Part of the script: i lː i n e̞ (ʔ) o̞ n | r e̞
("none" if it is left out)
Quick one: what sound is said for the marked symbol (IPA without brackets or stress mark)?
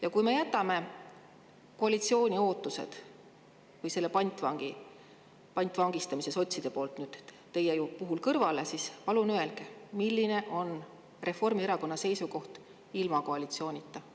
ʔ